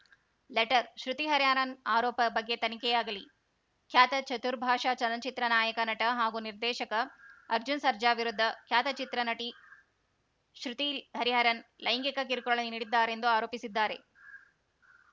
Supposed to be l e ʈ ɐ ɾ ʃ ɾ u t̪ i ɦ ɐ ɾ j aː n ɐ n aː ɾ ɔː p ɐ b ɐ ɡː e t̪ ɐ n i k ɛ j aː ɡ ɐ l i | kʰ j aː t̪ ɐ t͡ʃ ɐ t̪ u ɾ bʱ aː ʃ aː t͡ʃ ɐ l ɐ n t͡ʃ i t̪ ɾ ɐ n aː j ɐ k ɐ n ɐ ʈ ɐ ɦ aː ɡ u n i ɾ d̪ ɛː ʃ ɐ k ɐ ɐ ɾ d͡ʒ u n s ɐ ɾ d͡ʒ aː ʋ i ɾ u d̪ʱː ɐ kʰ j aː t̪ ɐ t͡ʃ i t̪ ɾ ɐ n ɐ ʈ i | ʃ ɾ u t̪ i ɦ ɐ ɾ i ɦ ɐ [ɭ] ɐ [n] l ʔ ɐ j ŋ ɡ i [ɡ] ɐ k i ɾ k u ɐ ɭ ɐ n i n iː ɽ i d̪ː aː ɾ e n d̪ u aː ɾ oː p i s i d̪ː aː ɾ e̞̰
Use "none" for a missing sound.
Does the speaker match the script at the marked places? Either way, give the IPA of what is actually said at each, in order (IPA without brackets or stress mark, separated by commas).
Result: ɾ, n, k